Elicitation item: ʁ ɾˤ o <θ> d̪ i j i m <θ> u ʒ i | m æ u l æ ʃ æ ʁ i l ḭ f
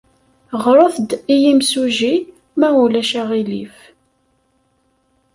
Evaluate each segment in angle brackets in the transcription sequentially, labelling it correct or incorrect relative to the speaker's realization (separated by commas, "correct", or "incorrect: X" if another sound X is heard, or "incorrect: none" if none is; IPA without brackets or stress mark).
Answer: correct, incorrect: s